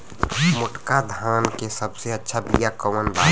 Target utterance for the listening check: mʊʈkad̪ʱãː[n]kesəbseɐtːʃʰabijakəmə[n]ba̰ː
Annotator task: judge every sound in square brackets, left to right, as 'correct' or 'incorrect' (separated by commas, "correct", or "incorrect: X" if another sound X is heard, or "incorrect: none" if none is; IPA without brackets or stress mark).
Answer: correct, correct